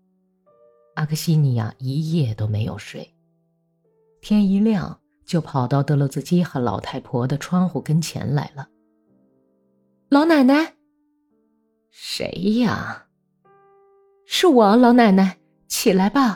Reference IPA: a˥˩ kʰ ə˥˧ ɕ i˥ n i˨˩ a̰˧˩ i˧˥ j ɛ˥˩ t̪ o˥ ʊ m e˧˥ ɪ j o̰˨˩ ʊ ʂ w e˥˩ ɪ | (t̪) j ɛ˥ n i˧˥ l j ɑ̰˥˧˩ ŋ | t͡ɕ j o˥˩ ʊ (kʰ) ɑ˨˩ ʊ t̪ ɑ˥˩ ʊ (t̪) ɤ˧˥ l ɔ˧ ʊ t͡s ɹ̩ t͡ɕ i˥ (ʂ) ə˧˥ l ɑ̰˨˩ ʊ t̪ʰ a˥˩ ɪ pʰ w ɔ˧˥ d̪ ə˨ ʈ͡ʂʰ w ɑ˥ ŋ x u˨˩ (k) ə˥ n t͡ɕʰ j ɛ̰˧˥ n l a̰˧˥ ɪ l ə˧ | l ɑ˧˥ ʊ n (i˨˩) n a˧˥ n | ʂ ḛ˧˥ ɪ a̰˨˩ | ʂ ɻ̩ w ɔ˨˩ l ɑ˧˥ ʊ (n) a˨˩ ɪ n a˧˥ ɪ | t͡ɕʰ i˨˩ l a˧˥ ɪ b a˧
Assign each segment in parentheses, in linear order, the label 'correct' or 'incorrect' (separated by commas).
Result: incorrect, incorrect, correct, incorrect, correct, incorrect, correct